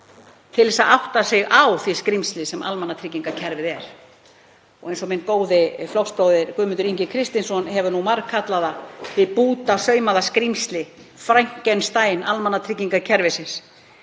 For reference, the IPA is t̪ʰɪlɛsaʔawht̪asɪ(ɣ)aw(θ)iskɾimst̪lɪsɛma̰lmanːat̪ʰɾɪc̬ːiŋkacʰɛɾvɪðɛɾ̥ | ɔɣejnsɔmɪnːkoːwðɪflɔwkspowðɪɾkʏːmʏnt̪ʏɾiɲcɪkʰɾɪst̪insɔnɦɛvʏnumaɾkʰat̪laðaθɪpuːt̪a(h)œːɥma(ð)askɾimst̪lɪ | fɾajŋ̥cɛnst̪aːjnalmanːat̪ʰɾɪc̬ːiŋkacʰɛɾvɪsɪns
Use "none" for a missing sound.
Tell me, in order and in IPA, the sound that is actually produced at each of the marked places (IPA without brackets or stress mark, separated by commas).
ɣ, θ, s, ð